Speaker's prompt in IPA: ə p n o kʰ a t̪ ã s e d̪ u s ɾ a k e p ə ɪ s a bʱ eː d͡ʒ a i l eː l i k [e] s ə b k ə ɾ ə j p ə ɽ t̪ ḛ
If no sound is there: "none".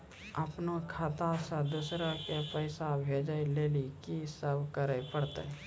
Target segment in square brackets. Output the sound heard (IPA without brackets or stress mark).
i